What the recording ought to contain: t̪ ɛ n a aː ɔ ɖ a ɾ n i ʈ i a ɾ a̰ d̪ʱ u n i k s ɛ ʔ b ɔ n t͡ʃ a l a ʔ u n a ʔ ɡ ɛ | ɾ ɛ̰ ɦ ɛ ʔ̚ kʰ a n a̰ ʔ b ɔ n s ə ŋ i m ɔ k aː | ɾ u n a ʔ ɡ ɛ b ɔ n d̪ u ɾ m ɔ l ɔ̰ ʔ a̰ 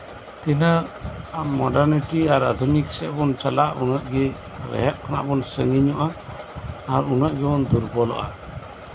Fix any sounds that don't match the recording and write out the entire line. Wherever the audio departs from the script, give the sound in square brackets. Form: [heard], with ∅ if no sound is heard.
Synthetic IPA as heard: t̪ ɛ n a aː ɔ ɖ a ɾ n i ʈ i a ɾ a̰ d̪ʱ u n i k s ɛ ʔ b ɔ n t͡ʃ a l a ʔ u n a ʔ ɡ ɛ | ɾ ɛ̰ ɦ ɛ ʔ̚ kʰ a n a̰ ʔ b ɔ n s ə ŋ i [ɲ] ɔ [ʔ] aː | ɾ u n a ʔ ɡ ɛ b ɔ n d̪ u ɾ [b] ɔ l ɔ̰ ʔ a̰